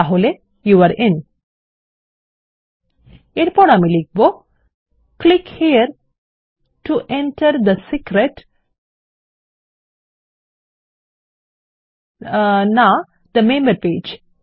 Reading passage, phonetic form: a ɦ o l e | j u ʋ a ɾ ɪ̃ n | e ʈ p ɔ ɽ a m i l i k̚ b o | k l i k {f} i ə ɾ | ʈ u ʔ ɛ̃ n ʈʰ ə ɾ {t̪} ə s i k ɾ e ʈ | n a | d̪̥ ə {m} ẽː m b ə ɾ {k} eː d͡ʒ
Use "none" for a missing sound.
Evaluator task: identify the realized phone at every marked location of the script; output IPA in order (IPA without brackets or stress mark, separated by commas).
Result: h, d̪, m, p